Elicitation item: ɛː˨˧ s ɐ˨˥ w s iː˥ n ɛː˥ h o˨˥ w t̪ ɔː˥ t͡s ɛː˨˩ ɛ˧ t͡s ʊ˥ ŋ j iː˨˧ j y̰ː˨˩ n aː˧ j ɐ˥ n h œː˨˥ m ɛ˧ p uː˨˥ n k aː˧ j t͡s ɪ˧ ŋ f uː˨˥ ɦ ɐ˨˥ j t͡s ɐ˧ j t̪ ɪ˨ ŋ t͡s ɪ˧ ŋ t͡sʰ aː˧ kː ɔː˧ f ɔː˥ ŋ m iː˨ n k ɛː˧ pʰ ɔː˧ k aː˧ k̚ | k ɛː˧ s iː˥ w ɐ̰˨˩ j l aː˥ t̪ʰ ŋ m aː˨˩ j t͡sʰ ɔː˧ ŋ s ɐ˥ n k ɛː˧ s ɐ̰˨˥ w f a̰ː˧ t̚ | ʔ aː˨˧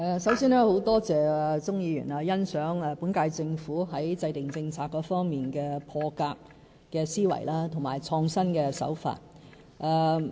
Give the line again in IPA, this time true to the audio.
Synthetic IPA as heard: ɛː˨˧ s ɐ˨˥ w s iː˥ n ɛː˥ h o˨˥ w t̪ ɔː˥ t͡s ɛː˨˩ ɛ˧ t͡s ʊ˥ ŋ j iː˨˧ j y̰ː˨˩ n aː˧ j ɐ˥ n s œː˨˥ ŋ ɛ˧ p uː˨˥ n k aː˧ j t͡s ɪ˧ ŋ f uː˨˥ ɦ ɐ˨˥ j t͡s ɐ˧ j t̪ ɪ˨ ŋ t͡s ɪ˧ ŋ t͡sʰ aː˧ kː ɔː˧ f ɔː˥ ŋ m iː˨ n k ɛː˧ pʰ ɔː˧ k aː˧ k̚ | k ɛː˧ s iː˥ w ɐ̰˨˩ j l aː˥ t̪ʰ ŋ m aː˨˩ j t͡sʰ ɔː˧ ŋ s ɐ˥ n k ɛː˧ s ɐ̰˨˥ w f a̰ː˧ t̚ | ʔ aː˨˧